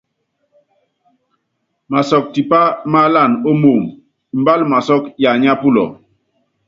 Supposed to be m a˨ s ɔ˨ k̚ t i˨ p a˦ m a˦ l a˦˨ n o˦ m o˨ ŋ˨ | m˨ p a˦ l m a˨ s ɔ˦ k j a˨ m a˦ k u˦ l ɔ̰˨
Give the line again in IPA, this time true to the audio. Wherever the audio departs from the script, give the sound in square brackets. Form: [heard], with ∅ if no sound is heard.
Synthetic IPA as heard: m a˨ s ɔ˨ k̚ t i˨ p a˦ m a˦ l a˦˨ n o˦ m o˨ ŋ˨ | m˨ [b] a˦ l m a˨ s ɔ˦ k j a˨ [ɲ] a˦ [p] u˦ l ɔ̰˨